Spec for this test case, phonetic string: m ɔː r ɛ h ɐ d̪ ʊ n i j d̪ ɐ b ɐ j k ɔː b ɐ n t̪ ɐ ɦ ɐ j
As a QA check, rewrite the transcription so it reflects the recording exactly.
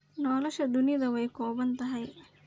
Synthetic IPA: n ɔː l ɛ ʃ ɐ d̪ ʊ n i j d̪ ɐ w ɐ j k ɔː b ɐ n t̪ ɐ ɦ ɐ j